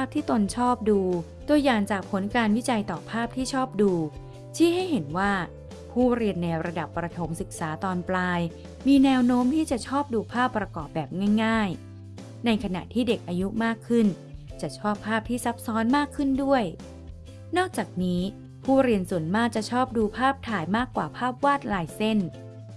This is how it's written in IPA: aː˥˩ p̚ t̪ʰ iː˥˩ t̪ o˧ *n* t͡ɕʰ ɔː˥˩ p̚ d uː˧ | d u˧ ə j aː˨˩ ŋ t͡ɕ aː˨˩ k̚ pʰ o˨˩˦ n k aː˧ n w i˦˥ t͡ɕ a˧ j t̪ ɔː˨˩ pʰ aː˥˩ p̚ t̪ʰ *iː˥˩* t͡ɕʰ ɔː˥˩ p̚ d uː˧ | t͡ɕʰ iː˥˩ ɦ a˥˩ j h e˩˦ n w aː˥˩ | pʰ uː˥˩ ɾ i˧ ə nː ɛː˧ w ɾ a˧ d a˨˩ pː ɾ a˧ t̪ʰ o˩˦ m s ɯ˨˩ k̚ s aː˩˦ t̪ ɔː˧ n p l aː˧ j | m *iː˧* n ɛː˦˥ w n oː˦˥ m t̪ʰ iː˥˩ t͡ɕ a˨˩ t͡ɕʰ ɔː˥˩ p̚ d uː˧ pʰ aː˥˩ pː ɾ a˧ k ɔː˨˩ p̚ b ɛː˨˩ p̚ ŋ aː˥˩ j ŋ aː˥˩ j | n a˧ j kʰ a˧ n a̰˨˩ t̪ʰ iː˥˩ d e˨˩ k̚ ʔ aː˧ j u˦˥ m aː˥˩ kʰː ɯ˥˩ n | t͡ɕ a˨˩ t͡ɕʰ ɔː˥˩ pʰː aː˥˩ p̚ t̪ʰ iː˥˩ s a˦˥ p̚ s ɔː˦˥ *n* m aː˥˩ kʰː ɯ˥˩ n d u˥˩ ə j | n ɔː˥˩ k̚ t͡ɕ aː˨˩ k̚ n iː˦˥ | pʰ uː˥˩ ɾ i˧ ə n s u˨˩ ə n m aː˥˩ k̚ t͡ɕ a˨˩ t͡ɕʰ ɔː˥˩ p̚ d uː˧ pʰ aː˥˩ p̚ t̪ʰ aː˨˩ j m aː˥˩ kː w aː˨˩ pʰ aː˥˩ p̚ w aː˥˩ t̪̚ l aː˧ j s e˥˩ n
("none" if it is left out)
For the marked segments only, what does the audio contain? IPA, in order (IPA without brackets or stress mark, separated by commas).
n, iː˥˩, iː˧, n